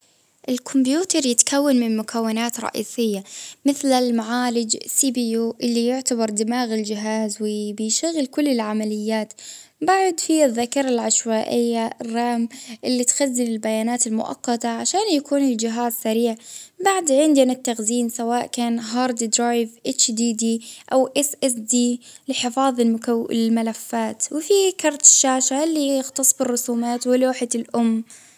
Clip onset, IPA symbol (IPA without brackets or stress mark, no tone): ʔ